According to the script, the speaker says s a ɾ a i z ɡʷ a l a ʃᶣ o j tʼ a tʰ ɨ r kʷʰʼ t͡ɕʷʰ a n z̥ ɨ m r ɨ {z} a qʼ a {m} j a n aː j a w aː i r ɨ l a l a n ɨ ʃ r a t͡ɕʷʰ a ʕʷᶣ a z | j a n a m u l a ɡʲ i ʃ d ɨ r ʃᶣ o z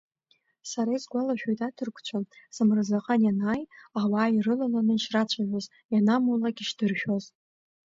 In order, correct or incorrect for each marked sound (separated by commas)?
correct, incorrect